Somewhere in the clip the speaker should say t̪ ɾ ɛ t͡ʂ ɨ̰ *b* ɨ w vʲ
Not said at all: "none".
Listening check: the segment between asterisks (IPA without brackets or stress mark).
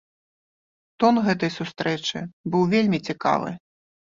b